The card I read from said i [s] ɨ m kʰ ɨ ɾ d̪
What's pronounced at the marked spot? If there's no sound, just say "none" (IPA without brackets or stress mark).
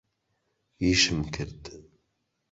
ʃ